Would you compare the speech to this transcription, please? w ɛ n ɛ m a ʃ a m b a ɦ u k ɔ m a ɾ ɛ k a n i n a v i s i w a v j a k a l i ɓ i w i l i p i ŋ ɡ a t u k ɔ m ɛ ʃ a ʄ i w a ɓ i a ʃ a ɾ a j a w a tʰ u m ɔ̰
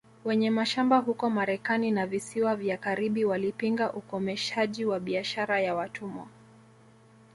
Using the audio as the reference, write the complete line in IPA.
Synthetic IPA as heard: w ɛ ɲ ɛ m a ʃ a m b a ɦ u k ɔ m a ɾ ɛ k a n i n a v i s i w a v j a k a ɾ i ɓ i w a l i p i ŋ ɡ a ʔ u k ɔ m ɛ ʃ a ʄ i w a ɓ i a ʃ a ɾ a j a w a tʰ u m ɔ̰